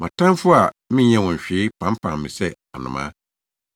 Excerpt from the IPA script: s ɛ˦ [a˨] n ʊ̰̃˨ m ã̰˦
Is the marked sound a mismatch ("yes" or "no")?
no